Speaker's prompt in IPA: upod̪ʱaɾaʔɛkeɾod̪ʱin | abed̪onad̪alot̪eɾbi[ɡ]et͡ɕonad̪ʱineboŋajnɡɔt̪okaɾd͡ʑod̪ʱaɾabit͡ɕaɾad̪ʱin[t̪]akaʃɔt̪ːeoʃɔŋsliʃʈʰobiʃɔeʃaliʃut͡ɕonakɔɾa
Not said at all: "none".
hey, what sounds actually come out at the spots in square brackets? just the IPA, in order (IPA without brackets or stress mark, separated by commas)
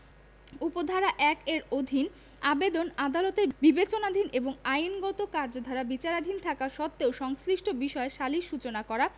b, t̪ʰ